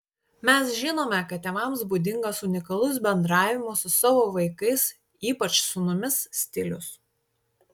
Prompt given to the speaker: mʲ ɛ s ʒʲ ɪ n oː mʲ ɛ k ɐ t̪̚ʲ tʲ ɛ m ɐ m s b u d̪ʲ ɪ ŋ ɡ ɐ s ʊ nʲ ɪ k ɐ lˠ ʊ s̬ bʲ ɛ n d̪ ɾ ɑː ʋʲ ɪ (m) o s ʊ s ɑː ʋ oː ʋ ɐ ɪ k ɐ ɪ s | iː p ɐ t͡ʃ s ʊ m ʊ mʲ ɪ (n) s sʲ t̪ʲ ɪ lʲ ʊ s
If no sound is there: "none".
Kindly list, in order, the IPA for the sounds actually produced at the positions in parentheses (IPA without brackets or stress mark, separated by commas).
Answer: m, none